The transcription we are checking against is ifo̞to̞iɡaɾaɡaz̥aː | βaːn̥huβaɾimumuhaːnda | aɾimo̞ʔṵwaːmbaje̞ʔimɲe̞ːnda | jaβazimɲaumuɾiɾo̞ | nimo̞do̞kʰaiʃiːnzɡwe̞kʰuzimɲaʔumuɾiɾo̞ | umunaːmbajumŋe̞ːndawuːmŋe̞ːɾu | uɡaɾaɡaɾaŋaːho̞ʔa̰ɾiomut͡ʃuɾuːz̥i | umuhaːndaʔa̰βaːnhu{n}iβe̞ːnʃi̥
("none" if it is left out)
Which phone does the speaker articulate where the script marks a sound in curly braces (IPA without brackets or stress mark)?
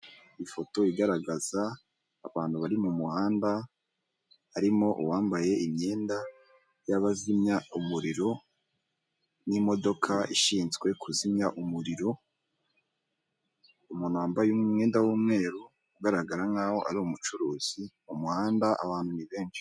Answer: n